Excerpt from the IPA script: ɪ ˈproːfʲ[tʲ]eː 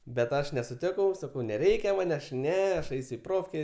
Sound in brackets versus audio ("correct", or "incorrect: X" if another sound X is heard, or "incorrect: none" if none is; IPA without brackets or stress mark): incorrect: kʲ